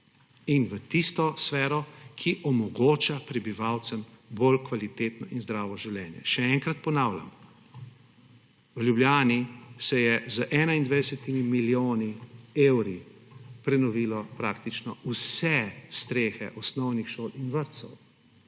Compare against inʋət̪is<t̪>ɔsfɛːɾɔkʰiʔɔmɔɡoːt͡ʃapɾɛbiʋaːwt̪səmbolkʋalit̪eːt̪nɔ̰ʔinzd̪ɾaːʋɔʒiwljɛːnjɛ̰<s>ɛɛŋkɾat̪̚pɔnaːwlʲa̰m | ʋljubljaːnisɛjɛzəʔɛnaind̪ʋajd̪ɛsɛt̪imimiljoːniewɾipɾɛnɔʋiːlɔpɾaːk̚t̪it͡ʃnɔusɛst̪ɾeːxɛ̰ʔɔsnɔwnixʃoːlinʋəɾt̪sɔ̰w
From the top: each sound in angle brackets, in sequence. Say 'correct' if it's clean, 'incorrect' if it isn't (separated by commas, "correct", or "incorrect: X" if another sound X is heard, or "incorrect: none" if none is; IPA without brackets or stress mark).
correct, incorrect: ʃ